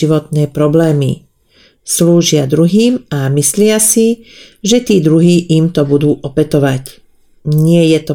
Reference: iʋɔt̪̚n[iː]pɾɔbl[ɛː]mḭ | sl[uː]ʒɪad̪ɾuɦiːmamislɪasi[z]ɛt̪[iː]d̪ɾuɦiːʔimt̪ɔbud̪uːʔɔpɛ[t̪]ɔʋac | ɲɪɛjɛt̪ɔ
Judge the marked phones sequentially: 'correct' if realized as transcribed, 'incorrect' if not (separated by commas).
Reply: incorrect, correct, correct, incorrect, correct, correct